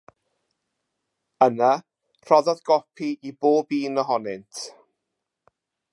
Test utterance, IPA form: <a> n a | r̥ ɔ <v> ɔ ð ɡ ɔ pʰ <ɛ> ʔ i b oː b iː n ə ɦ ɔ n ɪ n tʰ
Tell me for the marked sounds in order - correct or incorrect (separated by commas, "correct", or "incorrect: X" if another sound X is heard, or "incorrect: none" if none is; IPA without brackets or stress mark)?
incorrect: ə, incorrect: ð, incorrect: i